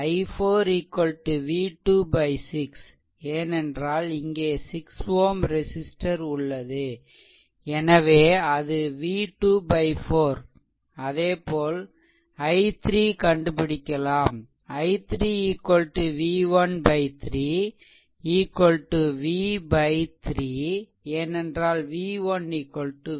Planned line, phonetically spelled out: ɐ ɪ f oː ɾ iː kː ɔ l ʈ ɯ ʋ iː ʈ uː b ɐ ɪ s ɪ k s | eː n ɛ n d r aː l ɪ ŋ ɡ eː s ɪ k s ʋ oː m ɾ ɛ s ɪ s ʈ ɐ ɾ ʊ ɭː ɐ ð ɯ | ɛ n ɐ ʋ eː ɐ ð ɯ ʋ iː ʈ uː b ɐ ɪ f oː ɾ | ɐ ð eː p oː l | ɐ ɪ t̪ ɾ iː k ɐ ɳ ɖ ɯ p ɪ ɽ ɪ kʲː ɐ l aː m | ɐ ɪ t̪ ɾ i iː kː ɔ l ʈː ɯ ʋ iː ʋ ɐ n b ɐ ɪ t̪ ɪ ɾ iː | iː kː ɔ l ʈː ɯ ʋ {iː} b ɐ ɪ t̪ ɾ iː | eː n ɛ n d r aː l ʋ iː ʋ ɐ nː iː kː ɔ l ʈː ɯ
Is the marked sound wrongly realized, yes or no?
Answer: no